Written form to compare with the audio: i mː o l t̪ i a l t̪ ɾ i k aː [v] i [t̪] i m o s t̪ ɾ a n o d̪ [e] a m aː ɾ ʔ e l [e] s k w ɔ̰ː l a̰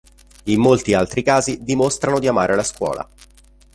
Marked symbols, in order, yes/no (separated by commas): no, no, no, no